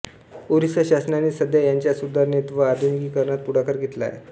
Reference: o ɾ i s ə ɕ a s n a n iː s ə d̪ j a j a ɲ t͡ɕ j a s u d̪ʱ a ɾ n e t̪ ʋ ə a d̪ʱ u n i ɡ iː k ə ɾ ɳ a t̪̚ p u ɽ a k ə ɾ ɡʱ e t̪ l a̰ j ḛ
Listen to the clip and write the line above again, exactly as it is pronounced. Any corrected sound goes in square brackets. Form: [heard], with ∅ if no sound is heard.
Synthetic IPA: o ɾ i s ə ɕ a s n a n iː s ə d̪ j a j a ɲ t͡ɕ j a s u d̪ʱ a ɾ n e t̪ ʋ ə a d̪ʱ u n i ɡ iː k ə ɾ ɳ a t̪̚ p u ɽ a k ə ɾ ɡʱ e t̪ l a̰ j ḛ

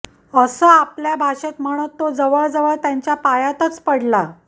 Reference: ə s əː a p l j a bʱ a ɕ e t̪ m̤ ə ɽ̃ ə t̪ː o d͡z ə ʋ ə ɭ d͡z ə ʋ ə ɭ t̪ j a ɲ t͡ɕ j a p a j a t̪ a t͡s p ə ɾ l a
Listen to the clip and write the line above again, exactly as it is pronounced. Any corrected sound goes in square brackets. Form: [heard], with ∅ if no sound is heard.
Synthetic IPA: ə s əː a p l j a bʱ a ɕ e t̪ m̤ ə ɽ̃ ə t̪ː o d͡z ə ʋ ə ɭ d͡z ə ʋ ə ɭ t̪ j a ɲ t͡ɕ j a p a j a t̪ [ə] t͡s p ə [ɽ] l a

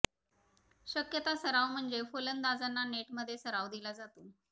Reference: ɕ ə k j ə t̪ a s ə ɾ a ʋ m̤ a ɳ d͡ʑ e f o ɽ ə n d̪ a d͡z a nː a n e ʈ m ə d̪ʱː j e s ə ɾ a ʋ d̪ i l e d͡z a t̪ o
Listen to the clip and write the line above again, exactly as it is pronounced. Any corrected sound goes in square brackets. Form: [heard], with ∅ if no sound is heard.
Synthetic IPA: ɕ ə k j ə t̪ a s ə ɾ a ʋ m̤ [ə] ɳ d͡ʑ e f o [l] ə n d̪ a d͡z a nː a n e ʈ m ə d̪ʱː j e s ə ɾ a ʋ d̪ i l [a] d͡z a t̪ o

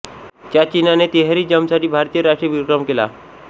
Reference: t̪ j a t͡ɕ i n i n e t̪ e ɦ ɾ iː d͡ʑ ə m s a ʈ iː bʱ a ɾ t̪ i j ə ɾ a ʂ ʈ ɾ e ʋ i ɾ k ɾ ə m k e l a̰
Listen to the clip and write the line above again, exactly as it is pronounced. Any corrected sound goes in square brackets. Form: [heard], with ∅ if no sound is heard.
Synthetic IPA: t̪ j a t͡ɕ i n [a] n e t̪ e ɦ ɾ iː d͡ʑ ə m s a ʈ iː bʱ a ɾ t̪ i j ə ɾ a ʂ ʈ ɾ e ʋ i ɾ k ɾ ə m k e l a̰

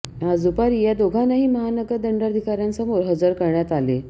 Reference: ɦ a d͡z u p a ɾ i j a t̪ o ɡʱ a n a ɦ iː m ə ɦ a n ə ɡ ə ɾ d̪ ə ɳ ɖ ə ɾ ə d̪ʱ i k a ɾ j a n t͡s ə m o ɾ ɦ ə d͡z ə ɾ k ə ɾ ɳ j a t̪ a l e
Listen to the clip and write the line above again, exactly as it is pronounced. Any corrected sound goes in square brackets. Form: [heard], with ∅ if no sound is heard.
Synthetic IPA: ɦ a d͡z u p a ɾ i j a [d̪] o ɡʱ a n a ɦ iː m ə ɦ a n ə ɡ ə ɾ d̪ ə ɳ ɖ ə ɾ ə d̪ʱ i k a ɾ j a n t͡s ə m o ɾ ɦ ə d͡z ə ɾ k ə ɾ ɳ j a t̪ a l e

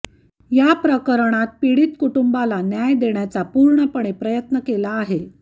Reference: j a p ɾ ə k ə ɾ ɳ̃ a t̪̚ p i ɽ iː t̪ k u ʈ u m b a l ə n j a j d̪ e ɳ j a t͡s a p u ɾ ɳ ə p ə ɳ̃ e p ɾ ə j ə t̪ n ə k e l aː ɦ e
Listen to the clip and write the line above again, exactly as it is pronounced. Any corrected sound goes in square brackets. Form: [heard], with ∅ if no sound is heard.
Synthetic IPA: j a p ɾ ə k ə ɾ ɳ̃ a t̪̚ p i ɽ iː t̪ k u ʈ u m b a l [a] n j a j d̪ e ɳ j a t͡s a p u ɾ ɳ ə p ə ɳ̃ e p ɾ ə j ə t̪ n ə k e l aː ɦ e

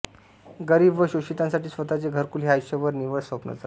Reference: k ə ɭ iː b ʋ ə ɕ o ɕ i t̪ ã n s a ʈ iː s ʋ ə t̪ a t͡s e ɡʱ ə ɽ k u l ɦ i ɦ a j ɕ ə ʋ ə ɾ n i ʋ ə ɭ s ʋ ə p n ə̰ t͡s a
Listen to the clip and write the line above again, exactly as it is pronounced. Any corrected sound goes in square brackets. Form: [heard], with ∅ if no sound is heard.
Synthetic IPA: [ɡ] ə [ɾ] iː b ʋ ə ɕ o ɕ i t̪ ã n s a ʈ iː s ʋ ə t̪ a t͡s e ɡʱ ə [ɾ] k u l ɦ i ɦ a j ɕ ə ʋ ə ɾ n i ʋ ə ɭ s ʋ ə p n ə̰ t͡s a

